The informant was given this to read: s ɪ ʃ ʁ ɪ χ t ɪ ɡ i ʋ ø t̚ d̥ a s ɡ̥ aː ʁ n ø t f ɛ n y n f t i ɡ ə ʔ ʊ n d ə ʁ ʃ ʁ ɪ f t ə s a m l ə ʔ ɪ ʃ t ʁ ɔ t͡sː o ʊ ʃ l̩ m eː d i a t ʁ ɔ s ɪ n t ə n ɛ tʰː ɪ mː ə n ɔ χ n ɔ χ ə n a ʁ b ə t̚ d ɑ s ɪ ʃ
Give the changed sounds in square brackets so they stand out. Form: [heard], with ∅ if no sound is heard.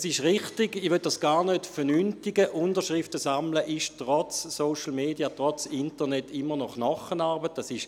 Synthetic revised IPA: s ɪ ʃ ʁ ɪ χ t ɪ ɡ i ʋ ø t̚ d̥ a s ɡ̥ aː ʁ n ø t f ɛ n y n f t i ɡ ə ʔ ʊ n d ə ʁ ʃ ʁ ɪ f t ə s a m l ə ʔ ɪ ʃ t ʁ ɔ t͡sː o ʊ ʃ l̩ m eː d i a t ʁ ɔ [t͡s] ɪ n t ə n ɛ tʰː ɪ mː ə n ɔ χ n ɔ χ ə n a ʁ b ə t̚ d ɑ s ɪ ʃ